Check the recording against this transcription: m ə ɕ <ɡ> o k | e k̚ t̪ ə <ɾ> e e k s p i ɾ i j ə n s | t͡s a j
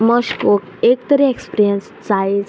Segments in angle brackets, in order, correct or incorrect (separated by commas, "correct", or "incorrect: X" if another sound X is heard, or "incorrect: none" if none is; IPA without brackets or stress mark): incorrect: k, correct